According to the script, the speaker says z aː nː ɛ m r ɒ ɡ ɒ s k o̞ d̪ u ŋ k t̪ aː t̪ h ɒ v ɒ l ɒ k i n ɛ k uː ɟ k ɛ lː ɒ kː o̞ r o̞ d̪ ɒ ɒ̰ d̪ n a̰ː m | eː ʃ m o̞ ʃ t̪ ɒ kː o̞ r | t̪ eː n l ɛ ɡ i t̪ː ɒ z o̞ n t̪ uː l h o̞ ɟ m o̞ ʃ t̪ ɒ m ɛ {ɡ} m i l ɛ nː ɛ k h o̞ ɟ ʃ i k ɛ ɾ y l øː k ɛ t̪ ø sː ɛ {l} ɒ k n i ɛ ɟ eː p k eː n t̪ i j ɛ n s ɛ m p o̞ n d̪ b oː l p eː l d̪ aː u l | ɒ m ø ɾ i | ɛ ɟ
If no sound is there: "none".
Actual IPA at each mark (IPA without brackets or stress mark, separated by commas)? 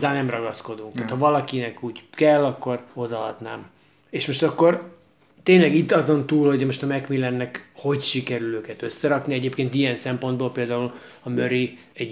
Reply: k, ɾ